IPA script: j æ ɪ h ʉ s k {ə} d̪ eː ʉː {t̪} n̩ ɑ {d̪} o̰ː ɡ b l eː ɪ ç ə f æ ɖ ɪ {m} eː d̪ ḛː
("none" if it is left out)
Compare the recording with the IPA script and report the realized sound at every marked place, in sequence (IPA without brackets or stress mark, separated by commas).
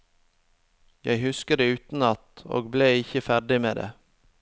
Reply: ə, t̪, t̪, m